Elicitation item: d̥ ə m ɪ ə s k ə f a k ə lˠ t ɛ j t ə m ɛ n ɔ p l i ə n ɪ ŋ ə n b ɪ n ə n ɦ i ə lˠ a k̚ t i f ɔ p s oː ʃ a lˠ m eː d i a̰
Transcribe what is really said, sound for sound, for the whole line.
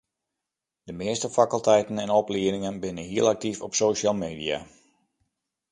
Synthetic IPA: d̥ ə m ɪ ə s t ə f a k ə lˠ t ɛ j t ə n ɛ n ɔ p l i ə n ɪ ŋ ə n b ɪ n ə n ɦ i ə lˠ a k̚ t i f ɔ p s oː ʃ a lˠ m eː d i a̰